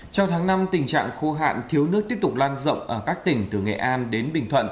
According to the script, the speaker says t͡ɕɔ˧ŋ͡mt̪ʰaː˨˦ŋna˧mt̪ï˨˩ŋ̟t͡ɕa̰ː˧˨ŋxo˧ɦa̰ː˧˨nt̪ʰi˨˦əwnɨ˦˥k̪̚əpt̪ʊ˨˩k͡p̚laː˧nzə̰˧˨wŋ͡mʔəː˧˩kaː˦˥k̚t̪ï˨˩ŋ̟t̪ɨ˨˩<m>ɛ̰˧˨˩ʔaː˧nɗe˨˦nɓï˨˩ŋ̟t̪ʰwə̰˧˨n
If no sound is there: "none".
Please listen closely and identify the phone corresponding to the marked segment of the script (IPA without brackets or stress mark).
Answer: ŋ